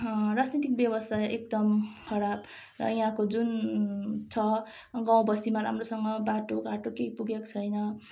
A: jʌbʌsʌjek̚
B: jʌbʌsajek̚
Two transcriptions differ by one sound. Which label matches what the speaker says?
B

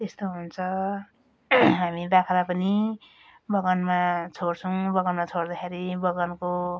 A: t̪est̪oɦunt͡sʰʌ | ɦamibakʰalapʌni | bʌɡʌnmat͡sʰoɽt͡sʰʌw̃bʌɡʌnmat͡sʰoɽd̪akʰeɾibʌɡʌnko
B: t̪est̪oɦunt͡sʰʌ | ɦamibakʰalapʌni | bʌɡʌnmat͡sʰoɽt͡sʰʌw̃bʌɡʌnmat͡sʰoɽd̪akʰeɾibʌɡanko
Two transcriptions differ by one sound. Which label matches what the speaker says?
A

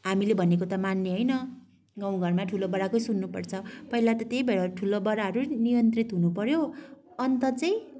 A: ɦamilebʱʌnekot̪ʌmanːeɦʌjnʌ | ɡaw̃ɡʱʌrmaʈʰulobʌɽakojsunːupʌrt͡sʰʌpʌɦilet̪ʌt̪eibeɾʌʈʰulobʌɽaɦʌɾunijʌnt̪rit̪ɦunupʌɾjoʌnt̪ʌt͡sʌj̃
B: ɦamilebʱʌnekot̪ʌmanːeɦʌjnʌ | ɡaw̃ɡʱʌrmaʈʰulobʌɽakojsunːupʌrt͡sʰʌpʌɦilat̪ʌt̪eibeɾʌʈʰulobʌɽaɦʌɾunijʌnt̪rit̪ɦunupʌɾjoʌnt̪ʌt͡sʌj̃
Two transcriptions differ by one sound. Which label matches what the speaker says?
B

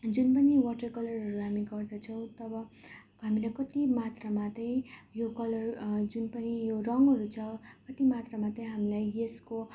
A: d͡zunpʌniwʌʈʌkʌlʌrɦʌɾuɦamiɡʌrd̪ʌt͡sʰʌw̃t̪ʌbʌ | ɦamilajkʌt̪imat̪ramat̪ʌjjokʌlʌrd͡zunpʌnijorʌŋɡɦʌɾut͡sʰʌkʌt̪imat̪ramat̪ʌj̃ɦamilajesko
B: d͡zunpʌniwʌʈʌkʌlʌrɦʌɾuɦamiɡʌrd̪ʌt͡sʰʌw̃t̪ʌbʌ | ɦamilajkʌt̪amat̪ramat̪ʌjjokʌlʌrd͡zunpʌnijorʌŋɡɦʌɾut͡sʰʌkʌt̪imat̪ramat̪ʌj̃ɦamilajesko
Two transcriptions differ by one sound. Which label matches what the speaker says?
A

